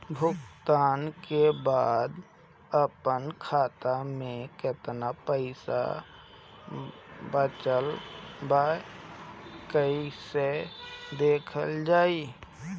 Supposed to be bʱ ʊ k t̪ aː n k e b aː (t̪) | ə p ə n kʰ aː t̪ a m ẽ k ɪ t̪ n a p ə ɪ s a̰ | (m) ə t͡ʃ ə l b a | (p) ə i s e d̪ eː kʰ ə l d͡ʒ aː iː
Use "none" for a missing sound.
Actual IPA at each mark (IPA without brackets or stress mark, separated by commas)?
d̪, b, k